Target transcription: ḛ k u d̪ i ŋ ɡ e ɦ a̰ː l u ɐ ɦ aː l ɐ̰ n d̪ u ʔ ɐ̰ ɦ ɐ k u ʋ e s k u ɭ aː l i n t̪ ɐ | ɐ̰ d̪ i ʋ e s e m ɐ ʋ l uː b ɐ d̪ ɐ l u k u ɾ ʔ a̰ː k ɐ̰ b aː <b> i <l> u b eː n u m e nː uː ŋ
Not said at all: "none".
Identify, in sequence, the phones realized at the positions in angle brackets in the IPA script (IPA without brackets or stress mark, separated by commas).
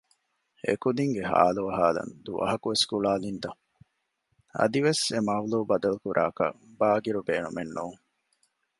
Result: ɡ, ɾ